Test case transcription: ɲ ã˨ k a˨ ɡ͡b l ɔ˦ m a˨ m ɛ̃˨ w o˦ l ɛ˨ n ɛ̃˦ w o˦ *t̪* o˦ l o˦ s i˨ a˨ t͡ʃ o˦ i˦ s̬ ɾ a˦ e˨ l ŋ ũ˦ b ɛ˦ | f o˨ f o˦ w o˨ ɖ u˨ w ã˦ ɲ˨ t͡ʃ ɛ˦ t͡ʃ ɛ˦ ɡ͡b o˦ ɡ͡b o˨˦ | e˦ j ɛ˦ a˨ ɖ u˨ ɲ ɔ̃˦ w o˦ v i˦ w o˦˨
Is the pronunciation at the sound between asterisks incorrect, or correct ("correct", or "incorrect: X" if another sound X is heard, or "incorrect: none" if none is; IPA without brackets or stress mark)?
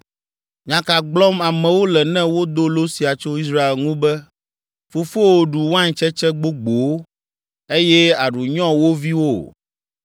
incorrect: d̪